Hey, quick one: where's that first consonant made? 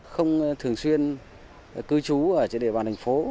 velum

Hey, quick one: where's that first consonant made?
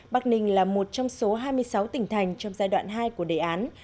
lips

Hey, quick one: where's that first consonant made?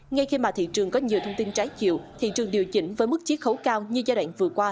velum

